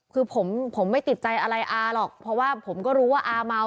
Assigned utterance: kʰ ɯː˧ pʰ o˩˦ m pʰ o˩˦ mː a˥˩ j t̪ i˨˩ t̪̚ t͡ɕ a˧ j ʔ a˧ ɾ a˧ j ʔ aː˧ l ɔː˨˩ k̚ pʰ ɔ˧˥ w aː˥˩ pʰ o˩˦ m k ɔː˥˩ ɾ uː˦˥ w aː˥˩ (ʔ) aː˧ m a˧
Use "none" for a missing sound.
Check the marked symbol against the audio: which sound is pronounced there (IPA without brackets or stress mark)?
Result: ʔ